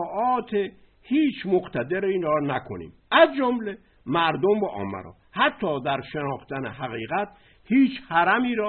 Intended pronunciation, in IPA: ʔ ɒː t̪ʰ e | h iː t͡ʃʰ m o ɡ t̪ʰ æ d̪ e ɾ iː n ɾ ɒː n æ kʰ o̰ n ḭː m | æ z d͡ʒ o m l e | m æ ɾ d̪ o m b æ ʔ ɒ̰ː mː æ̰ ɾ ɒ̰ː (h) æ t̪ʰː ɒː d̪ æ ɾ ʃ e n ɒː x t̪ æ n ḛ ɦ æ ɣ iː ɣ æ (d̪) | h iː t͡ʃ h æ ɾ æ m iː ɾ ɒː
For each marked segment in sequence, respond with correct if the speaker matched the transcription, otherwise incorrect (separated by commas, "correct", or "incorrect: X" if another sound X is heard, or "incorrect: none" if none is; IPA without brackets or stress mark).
correct, incorrect: t̪